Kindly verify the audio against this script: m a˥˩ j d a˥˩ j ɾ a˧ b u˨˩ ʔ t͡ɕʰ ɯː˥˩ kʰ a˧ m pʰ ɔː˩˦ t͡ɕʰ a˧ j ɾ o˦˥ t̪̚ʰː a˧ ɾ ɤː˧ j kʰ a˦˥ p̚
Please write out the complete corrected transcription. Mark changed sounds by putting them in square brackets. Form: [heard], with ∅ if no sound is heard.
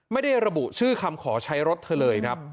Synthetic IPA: m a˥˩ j d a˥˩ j ɾ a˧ b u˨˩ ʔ t͡ɕʰ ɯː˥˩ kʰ a˧ m [kʰ] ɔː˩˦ t͡ɕʰ [a˦˥] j ɾ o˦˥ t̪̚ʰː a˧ [l] ɤː˧ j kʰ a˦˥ p̚